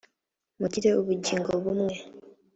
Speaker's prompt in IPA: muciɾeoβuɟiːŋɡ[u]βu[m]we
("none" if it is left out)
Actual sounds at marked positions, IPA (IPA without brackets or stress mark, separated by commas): o, m